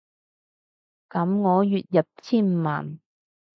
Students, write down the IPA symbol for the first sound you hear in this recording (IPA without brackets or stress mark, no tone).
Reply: k